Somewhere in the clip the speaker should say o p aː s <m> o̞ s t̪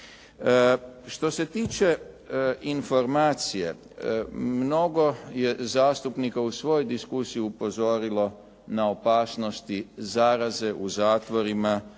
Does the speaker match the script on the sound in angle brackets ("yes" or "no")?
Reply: no